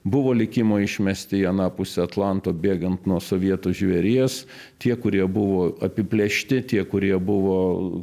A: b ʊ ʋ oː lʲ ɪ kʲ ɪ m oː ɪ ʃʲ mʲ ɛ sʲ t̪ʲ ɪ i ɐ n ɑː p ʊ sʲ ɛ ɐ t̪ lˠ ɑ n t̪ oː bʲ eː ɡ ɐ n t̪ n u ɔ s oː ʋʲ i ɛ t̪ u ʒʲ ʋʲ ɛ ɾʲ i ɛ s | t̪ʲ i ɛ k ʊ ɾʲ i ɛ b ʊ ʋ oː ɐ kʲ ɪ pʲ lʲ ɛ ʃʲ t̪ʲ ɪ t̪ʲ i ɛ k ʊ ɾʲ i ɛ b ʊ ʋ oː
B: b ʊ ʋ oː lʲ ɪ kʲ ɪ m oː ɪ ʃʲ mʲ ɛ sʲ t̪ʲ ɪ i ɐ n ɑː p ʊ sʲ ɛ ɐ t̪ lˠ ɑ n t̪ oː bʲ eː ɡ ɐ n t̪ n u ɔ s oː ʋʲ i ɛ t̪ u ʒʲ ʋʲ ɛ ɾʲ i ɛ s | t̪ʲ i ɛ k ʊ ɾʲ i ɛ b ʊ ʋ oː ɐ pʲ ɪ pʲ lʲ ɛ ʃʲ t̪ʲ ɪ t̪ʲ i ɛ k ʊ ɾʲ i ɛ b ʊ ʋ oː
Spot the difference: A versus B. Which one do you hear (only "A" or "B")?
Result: B